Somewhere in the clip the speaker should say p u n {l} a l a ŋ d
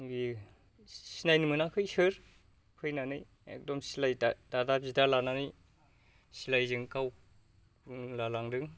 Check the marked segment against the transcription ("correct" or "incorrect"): correct